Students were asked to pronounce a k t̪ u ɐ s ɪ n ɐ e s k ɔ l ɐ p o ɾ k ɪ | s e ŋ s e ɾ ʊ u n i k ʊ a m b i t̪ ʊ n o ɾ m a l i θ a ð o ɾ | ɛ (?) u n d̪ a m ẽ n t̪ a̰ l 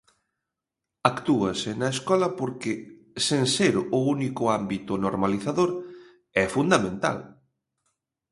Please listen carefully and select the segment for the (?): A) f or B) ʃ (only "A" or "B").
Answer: A